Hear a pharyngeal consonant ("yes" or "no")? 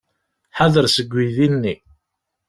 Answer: yes